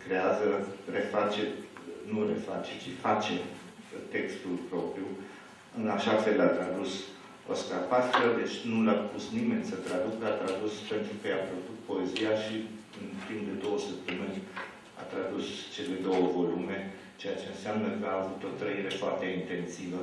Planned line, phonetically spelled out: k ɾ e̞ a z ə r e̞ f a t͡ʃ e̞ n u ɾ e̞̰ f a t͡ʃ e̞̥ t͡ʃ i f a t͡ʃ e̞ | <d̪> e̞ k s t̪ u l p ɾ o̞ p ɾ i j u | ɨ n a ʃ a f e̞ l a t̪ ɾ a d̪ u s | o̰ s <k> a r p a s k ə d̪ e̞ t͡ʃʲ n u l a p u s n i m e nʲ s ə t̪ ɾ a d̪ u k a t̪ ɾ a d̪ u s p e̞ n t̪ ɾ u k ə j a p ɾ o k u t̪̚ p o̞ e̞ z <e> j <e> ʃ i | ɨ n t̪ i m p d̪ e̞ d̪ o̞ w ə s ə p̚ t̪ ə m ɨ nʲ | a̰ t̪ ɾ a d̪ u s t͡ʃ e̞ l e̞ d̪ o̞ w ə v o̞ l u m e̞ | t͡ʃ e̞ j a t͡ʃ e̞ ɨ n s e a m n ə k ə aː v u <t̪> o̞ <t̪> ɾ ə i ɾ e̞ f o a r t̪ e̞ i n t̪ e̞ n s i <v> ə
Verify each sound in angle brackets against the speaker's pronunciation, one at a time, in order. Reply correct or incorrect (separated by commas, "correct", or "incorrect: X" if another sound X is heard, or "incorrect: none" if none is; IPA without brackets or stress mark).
incorrect: t̪, correct, incorrect: i, incorrect: a, correct, correct, correct